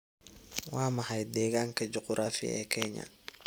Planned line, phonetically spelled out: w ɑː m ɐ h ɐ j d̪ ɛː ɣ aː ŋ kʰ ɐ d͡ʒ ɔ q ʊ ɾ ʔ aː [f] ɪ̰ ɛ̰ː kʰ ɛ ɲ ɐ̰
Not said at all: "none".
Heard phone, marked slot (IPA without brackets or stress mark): f